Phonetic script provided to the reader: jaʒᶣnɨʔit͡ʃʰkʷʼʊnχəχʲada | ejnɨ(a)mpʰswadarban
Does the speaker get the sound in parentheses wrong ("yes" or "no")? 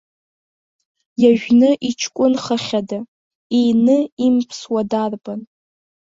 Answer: yes